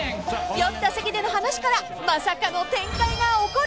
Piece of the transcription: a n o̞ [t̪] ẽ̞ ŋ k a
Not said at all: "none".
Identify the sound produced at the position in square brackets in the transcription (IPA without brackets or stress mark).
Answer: t̪